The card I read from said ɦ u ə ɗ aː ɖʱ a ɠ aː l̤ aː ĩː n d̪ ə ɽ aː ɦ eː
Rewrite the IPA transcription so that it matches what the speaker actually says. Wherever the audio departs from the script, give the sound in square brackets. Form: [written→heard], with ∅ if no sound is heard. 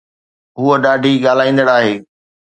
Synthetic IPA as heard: ɦ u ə ɗ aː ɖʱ [a→i] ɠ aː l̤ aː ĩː n d̪ ə ɽ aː ɦ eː

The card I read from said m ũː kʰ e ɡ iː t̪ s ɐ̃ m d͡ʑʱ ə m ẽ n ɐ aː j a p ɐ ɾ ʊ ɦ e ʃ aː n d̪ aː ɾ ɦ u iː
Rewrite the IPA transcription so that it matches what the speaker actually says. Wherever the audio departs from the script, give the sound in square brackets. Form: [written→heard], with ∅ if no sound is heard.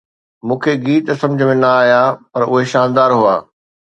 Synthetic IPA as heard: m ũː kʰ e ɡ iː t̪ s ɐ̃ m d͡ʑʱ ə m ẽ n ɐ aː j a p ɐ ɾ ʊ ɦ e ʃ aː n d̪ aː ɾ ɦ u [iː→aː]

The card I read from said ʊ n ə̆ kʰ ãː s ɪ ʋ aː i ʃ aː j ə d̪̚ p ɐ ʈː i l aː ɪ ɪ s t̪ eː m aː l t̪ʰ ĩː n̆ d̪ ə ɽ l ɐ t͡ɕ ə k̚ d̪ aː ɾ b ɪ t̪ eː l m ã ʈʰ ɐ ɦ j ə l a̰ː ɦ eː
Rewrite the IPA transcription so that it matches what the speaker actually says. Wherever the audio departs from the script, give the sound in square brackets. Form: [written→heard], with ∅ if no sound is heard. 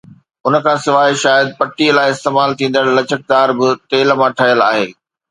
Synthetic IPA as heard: ʊ n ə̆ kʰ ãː s ɪ ʋ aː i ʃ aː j ə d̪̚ p ɐ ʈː i l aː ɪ ɪ s t̪ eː m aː l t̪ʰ ĩː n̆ d̪ ə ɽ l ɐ t͡ɕ ə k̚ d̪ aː ɾ b ɪ t̪ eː l m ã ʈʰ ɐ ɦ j ə l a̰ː ɦ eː

